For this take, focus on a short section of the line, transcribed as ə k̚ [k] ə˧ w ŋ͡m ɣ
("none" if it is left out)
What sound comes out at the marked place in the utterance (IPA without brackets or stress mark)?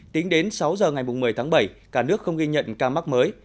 x